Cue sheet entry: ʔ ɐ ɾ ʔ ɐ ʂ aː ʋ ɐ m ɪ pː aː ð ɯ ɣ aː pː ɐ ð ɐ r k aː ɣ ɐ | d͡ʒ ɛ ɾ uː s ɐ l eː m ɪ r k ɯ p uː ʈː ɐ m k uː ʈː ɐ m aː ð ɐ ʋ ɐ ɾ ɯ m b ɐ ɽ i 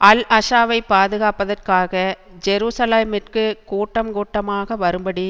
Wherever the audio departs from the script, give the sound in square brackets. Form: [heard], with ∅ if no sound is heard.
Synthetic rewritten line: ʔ ɐ [l] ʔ ɐ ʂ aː ʋ ɐ [∅] ɪ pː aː ð ɯ ɣ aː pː ɐ ð ɐ r k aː ɣ ɐ | d͡ʒ ɛ ɾ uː s ɐ l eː m ɪ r k ɯ [k] uː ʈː ɐ m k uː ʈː ɐ m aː [ɣ] ɐ ʋ ɐ ɾ ɯ m b ɐ ɽ i

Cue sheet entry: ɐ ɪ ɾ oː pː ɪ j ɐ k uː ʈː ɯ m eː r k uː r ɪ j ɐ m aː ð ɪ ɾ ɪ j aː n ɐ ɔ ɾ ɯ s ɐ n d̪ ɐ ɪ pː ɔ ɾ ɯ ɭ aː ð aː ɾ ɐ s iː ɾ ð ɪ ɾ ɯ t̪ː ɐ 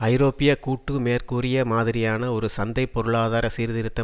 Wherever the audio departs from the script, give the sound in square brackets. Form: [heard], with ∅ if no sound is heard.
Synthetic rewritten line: ɐ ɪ ɾ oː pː ɪ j ɐ k uː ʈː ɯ m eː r k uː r ɪ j ɐ m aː ð ɪ ɾ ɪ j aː n ɐ ɔ ɾ ɯ s ɐ n d̪ ɐ ɪ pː ɔ ɾ ɯ ɭ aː ð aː ɾ ɐ s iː ɾ ð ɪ ɾ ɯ t̪ː ɐ

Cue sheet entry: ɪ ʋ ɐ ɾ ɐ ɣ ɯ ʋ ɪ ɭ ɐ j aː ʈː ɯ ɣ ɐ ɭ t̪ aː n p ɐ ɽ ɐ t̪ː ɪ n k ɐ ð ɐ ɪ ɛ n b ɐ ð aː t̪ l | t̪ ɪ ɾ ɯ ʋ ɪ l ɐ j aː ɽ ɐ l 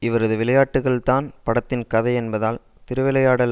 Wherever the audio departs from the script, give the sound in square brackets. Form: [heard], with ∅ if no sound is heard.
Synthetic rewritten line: ɪ ʋ ɐ ɾ ɐ [ð] ɯ ʋ ɪ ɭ ɐ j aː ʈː ɯ ɣ ɐ ɭ t̪ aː n p ɐ ɽ ɐ t̪ː ɪ n k ɐ ð ɐ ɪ ɛ n b ɐ ð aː [∅] l | t̪ ɪ ɾ ɯ ʋ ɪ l ɐ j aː ɽ ɐ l

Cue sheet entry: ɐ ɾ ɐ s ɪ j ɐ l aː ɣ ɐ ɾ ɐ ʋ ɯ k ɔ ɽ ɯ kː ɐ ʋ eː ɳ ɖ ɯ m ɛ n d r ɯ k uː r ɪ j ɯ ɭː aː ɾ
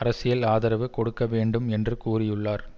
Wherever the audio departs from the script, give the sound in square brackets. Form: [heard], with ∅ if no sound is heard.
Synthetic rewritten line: ɐ ɾ ɐ s ɪ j ɐ l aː [ð] ɐ ɾ ɐ ʋ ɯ k ɔ ɽ ɯ kː ɐ ʋ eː ɳ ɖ ɯ m ɛ n d r ɯ k uː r ɪ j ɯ ɭː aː ɾ

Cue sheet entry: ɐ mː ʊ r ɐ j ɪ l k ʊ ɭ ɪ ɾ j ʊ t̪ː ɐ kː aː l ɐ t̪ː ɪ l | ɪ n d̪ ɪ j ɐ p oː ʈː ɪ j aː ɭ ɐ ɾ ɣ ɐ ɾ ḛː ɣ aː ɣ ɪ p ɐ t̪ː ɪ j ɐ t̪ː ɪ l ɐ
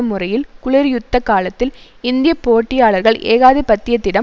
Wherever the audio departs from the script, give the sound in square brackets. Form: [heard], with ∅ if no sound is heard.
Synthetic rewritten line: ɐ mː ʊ r ɐ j ɪ l k ʊ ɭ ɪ ɾ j ʊ t̪ː ɐ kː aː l ɐ t̪ː ɪ l | ɪ n d̪ ɪ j ɐ p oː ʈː ɪ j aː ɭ ɐ ɾ ɣ ɐ [ɭ] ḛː ɣ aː [ð] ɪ p ɐ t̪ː ɪ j ɐ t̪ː ɪ [ɽ] ɐ

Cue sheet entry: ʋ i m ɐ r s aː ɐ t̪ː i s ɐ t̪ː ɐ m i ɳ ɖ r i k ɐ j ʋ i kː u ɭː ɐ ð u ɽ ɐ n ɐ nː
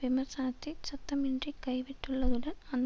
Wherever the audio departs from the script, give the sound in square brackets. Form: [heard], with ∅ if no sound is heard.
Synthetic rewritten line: ʋ i m ɐ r s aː ɐ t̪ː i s ɐ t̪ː ɐ m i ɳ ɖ r i k ɐ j ʋ i [ʈː] u ɭː ɐ ð u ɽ ɐ n ɐ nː

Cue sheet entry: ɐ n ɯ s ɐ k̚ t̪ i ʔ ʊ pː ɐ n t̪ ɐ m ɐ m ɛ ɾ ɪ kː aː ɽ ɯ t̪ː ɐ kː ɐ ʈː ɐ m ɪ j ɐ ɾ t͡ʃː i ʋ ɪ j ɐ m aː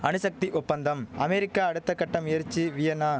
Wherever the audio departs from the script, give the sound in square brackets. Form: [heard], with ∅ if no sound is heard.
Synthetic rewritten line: ɐ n ɯ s ɐ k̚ t̪ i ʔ ʊ pː ɐ n [d̪] ɐ m ɐ m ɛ ɾ ɪ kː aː ɽ ɯ t̪ː ɐ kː ɐ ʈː ɐ m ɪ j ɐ ɾ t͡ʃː i ʋ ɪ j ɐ [n] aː

